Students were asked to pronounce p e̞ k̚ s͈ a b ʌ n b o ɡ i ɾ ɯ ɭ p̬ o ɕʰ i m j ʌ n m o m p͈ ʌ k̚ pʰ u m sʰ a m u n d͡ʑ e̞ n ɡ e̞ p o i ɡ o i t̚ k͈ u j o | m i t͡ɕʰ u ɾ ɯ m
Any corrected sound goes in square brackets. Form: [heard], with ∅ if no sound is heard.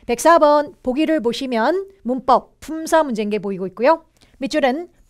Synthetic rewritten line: p e̞ k̚ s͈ a b ʌ n [p] o ɡ i ɾ ɯ ɭ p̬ o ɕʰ i m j ʌ n m [u] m p͈ ʌ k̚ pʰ u m sʰ a m u n d͡ʑ e̞ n ɡ e̞ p o i ɡ o i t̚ k͈ u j o | m i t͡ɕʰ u ɾ ɯ [n]